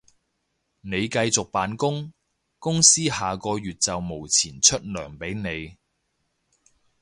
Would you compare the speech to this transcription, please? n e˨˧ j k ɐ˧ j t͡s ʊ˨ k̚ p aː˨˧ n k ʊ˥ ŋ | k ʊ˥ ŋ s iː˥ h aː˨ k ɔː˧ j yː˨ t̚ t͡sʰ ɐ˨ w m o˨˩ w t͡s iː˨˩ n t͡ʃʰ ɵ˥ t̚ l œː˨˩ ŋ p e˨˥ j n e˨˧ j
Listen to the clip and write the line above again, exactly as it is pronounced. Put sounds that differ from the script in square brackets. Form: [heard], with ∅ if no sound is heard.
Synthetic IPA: n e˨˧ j k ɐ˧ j t͡s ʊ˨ k̚ p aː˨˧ n k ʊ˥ ŋ | k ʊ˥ ŋ s iː˥ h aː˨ k ɔː˧ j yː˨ t̚ [t͡s] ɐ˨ w m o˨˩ w [t͡sʰ] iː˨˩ n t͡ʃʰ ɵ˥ t̚ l œː˨˩ ŋ p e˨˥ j n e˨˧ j